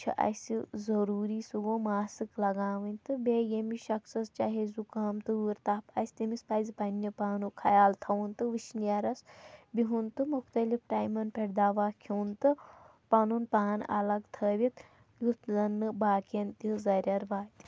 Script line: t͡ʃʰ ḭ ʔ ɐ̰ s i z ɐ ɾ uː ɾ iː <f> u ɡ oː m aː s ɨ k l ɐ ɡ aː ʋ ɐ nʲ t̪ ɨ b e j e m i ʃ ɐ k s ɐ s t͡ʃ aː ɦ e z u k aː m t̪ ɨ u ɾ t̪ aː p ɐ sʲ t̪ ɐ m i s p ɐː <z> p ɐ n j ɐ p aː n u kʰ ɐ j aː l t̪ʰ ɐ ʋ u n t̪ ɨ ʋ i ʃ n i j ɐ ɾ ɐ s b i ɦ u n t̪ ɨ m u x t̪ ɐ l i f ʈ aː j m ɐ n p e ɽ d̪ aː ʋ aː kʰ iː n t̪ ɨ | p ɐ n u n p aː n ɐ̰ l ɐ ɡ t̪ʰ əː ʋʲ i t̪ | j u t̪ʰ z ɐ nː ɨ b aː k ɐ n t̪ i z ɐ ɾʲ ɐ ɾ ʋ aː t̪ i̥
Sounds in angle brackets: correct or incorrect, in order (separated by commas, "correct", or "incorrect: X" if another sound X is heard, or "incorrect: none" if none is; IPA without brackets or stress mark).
incorrect: s, correct